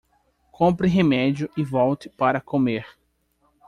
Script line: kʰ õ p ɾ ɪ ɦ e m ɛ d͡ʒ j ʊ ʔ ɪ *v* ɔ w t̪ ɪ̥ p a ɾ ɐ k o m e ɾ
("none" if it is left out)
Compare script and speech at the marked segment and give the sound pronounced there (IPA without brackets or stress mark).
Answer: v